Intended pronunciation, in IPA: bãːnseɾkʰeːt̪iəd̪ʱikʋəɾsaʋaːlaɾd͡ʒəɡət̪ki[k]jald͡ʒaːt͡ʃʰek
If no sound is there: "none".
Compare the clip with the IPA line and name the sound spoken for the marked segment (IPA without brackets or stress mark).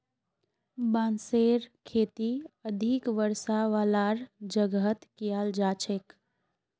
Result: none